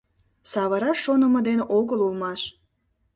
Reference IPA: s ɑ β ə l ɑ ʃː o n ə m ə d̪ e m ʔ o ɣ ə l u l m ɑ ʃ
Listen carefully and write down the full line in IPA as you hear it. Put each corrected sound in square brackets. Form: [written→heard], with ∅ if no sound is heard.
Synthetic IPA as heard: s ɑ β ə [l→ɾ] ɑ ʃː o n ə m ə d̪ e [m→n] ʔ o ɣ ə l u l m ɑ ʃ